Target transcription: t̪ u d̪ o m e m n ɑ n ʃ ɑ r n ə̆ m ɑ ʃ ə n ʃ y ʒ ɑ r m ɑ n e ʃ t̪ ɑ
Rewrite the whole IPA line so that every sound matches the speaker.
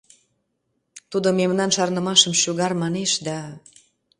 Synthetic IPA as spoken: t̪ u d̪ o m e m n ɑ n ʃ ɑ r n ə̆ m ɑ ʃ ə m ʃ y ɣ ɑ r m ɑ n e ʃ d̪ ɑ